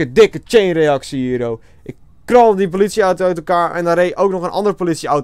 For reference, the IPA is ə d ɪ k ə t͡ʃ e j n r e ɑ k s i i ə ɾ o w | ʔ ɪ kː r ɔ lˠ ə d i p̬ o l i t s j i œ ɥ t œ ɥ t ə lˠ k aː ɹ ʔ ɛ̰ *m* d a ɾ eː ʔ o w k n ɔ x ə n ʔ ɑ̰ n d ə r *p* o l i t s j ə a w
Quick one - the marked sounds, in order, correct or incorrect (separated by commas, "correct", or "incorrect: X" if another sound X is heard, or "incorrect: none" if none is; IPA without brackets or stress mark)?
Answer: incorrect: n, correct